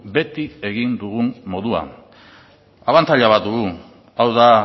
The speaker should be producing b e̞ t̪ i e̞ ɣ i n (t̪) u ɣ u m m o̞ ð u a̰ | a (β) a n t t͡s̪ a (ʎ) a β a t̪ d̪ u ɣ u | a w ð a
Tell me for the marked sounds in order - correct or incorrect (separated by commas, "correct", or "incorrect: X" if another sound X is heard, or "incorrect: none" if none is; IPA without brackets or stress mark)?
incorrect: d̪, correct, correct